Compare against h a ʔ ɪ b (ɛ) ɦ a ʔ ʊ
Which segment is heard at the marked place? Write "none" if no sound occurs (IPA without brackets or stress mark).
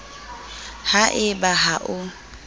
a